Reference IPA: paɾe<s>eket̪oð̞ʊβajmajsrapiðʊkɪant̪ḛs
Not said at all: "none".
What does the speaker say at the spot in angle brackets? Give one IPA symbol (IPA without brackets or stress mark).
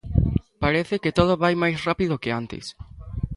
θ